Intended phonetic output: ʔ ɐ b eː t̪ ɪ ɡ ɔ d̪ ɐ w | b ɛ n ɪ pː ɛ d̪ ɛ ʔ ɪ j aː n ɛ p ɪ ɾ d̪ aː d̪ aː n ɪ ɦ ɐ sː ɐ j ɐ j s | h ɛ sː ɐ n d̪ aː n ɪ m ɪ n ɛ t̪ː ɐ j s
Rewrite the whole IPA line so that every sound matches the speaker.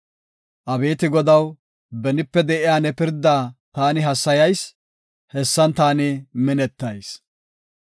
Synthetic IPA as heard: ʔ ɐ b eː t̪ ɪ ɡ ɔ d̪ ɐ w | b ɛ n ɪ pː ɛ d̪ ɛ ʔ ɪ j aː n ɛ p ɪ ɾ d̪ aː t̪ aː n ɪ ɦ ɐ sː ɐ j ɐ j s | h ɛ sː ɐ n t̪ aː n ɪ m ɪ n ɛ t̪ː ɐ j s